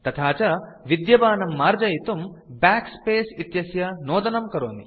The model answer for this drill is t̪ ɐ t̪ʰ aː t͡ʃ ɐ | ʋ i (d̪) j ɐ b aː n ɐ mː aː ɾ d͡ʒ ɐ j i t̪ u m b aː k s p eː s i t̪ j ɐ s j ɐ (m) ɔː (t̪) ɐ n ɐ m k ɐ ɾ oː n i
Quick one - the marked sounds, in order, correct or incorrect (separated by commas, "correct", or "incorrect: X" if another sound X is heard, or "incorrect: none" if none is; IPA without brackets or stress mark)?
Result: correct, incorrect: n, incorrect: d̪